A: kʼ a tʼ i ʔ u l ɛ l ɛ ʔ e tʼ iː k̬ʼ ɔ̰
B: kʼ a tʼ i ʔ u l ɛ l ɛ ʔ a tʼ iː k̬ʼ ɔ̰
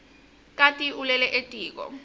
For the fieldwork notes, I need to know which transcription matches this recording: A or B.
A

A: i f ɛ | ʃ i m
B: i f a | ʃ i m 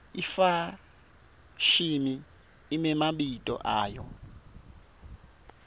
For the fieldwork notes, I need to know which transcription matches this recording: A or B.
B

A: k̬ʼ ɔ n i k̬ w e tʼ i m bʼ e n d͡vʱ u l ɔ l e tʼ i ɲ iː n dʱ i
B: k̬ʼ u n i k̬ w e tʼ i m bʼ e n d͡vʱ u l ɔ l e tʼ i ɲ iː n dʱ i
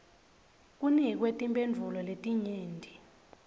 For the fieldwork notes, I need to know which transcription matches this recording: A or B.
B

